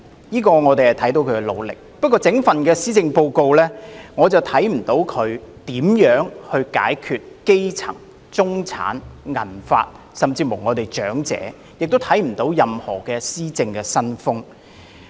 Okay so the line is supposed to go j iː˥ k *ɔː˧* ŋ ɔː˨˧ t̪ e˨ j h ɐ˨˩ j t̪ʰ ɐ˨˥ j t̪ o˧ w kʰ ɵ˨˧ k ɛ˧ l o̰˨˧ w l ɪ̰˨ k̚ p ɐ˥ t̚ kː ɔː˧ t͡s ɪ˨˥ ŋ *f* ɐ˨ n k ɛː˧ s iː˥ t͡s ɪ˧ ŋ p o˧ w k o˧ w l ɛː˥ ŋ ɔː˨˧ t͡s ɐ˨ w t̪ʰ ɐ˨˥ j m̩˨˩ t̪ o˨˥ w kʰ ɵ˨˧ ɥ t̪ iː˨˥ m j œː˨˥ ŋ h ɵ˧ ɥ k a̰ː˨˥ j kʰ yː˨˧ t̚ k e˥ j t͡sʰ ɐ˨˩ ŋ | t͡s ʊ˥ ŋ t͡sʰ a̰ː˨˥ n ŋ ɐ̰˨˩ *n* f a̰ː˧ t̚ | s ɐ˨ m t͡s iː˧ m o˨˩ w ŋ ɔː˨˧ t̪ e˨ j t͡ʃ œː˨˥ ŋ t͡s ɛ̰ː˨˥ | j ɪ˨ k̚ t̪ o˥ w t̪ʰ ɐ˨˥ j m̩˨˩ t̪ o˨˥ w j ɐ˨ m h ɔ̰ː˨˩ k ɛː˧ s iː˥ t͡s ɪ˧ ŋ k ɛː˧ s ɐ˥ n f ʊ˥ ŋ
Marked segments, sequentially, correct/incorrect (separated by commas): correct, correct, correct